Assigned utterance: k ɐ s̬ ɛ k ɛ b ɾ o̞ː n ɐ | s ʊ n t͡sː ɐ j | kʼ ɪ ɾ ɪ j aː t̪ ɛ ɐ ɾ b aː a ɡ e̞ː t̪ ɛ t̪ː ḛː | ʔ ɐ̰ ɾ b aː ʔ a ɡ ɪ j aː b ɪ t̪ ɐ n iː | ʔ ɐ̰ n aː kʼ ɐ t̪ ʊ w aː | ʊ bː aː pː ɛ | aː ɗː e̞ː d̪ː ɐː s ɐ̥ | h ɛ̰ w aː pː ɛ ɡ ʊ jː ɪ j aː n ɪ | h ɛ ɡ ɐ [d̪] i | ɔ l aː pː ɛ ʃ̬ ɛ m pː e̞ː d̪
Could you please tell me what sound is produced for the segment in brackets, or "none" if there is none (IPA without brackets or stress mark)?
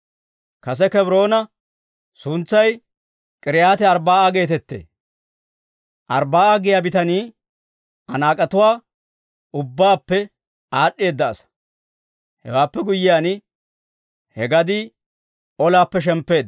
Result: d̪